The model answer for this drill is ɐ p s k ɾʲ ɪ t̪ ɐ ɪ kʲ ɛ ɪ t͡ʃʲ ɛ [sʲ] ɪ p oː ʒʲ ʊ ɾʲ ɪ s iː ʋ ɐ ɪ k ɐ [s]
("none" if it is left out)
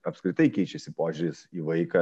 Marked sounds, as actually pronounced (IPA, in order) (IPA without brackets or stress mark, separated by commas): sʲ, none